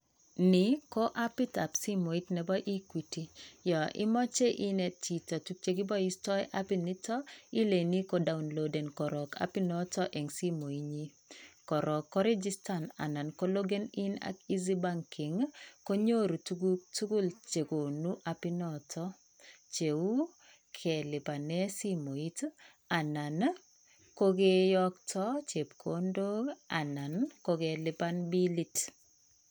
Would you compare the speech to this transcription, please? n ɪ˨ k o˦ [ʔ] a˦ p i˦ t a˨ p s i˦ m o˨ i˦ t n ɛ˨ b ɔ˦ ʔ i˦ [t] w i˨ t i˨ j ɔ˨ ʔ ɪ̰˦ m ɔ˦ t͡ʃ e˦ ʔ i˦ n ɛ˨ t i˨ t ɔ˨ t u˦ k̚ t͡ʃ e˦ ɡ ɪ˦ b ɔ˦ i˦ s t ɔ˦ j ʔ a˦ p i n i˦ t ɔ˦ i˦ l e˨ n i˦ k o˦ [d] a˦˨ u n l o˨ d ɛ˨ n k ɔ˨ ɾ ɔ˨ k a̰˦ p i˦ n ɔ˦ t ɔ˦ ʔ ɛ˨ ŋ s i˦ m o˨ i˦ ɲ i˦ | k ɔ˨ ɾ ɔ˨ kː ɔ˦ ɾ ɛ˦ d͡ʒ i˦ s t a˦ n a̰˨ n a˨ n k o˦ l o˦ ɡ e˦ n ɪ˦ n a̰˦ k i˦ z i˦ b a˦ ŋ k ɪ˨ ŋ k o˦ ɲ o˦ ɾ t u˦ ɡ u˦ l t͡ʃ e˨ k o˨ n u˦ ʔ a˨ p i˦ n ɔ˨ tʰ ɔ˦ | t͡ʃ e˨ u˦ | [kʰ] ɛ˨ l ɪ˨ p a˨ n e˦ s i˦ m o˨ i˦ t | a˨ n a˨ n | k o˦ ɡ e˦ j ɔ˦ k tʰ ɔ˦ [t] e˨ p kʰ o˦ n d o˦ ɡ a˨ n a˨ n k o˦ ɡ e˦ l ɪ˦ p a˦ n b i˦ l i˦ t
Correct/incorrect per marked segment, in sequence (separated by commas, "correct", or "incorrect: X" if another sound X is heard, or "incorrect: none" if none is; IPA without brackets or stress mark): correct, incorrect: k, correct, correct, incorrect: t͡ʃ